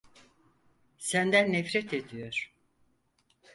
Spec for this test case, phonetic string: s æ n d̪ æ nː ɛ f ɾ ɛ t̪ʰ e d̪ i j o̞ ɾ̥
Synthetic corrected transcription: s æ n d̪ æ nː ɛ f ɾ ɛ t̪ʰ e d̪ i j o̞ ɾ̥